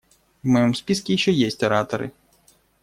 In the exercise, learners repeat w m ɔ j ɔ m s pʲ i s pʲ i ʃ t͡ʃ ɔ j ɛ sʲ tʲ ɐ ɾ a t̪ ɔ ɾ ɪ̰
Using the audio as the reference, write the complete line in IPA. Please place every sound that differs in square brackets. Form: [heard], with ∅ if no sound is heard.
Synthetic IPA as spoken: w m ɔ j ɔ m s pʲ i s [kʲ] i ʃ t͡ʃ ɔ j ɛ sʲ tʲ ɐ ɾ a t̪ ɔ ɾ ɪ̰